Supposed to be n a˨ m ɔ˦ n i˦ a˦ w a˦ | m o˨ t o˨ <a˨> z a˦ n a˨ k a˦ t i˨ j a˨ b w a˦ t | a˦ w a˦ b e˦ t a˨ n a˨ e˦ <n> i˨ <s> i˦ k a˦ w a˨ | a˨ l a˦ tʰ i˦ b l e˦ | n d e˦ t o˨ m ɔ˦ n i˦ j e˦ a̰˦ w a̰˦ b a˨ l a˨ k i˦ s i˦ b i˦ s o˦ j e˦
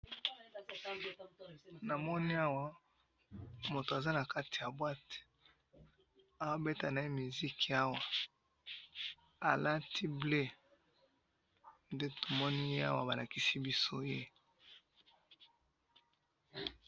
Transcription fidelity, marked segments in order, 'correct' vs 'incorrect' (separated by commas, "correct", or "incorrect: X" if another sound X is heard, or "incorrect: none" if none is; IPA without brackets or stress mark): correct, incorrect: m, incorrect: z